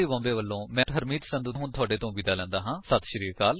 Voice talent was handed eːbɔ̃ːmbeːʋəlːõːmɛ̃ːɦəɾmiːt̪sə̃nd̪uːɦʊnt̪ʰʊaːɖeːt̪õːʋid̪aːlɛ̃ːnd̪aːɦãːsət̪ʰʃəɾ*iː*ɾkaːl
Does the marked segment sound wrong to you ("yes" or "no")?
no